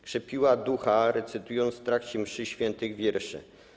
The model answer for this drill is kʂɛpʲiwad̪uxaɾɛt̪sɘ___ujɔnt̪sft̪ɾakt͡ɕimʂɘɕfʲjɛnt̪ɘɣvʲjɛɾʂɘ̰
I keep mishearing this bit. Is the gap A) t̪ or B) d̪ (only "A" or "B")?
A